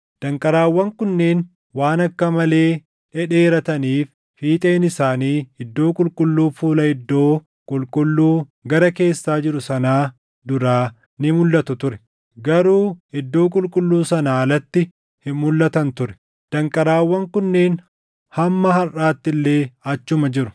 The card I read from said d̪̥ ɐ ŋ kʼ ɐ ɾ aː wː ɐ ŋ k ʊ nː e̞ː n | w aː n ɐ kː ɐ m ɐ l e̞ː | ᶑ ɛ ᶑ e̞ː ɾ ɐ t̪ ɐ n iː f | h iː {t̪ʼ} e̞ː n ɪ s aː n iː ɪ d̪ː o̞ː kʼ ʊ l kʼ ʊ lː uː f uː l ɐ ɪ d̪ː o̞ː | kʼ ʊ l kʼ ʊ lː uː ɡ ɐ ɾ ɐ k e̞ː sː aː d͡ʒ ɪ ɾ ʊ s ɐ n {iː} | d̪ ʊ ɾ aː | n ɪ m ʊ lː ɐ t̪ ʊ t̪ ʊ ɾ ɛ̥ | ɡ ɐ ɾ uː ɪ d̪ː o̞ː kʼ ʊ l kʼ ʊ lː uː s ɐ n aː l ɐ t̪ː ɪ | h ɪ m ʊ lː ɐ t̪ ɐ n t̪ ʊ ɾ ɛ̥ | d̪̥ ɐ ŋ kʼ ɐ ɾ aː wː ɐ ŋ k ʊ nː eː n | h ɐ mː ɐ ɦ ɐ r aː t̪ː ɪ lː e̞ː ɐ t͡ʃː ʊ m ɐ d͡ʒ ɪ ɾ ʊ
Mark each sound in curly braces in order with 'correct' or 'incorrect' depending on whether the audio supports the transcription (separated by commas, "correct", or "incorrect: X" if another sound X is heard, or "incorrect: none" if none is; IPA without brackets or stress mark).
correct, incorrect: aː